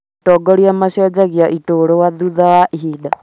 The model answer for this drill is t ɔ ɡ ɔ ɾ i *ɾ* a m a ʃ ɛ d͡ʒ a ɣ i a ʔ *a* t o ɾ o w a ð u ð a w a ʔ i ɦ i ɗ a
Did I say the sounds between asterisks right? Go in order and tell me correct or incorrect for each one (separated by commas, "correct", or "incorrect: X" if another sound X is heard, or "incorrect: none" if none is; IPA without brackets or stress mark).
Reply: incorrect: none, incorrect: i